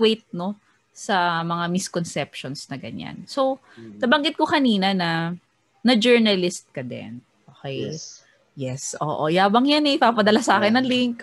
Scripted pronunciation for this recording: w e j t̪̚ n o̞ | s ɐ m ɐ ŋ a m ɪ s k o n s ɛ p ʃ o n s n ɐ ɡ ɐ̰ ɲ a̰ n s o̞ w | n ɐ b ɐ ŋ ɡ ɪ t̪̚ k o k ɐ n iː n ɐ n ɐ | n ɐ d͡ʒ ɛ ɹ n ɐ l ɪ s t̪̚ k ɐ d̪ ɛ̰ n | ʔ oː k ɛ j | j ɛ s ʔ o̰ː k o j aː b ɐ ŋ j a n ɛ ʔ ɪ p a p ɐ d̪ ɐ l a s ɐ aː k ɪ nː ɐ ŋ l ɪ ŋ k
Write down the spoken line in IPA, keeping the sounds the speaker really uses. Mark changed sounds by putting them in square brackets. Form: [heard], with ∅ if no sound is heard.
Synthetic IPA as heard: w e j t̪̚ n o̞ | s ɐ m ɐ ŋ a m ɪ s k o n s ɛ p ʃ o n s n ɐ ɡ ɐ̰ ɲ a̰ n s o̞ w | n ɐ b ɐ ŋ ɡ ɪ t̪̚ k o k ɐ n iː n ɐ n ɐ | n ɐ d͡ʒ ɛ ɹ n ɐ l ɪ s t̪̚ k ɐ d̪ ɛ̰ n | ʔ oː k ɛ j | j ɛ s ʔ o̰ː [ʔ] o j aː b ɐ ŋ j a n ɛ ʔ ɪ p a p ɐ d̪ ɐ l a s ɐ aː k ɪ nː ɐ ŋ l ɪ ŋ k